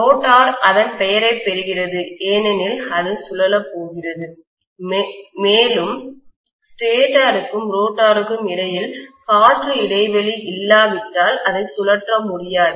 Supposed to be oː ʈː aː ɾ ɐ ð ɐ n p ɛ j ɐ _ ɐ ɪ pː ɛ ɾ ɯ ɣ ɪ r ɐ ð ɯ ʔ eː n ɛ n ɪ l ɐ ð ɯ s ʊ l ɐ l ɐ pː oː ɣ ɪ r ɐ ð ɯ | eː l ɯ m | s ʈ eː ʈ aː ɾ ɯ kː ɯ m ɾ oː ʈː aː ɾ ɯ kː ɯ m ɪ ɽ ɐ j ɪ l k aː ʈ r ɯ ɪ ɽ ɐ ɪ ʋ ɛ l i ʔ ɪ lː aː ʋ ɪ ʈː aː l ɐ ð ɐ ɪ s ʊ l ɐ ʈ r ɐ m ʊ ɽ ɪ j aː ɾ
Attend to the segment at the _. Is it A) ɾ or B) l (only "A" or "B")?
A